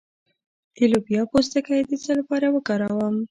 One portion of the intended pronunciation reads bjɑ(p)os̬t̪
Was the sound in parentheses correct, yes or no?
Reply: yes